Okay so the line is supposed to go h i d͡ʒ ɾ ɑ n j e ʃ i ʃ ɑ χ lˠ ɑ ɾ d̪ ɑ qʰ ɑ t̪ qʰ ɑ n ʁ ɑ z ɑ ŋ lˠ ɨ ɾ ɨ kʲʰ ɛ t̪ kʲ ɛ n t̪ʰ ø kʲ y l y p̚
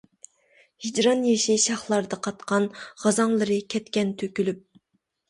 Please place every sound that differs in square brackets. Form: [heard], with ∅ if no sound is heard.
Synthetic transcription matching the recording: h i d͡ʒ ɾ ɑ n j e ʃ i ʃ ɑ χ lˠ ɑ ɾ d̪ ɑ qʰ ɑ t̪ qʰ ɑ n ʁ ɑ z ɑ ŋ lˠ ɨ ɾ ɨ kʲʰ ɛ t̪ kʲ ɛ n t̪ʰ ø kʲ y l y p̚